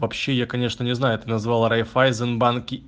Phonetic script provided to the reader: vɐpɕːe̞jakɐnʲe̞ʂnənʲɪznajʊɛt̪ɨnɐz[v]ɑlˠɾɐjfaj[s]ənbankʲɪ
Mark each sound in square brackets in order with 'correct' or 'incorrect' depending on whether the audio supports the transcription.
correct, incorrect: z

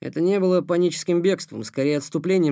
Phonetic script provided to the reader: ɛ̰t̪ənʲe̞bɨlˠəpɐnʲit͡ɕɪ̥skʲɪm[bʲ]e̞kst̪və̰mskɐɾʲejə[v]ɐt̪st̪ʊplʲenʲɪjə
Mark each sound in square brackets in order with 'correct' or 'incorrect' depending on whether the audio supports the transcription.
correct, incorrect: none

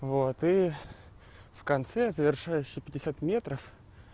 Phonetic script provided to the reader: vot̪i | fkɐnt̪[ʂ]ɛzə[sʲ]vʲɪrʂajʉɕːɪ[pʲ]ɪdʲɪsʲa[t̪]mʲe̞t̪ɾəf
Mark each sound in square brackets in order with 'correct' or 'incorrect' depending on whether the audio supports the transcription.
incorrect: s, incorrect: none, correct, correct

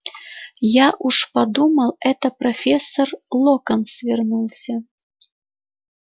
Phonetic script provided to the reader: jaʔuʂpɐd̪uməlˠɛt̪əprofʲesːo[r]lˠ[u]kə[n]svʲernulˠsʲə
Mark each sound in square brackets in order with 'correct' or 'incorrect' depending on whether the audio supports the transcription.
correct, incorrect: o, correct

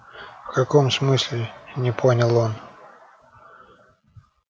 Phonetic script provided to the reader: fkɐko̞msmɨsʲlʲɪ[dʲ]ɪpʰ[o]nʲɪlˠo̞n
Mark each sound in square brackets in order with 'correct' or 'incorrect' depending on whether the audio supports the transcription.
incorrect: nʲ, correct

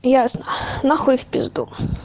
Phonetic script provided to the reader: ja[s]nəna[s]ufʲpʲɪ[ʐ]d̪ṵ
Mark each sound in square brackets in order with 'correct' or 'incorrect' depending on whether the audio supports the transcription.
correct, incorrect: x, incorrect: z

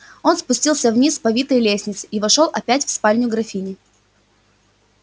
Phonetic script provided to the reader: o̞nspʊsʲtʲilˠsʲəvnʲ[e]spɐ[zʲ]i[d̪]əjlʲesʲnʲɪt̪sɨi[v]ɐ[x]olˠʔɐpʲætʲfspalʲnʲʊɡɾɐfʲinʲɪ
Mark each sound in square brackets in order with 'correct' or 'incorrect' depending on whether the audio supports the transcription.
incorrect: i, incorrect: vʲ, incorrect: t̪, correct, incorrect: ʂ

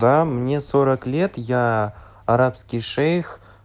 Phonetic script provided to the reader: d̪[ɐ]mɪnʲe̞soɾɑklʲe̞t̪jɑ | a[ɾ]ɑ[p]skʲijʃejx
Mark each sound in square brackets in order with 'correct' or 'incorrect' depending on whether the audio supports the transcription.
incorrect: ɑ, correct, correct

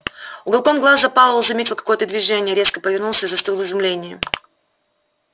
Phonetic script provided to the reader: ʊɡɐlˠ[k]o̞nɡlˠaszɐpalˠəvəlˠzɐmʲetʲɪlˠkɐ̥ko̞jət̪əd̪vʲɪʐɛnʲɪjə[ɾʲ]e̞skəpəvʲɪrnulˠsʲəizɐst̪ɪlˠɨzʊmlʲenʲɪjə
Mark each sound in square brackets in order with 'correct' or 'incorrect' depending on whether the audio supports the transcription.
correct, correct

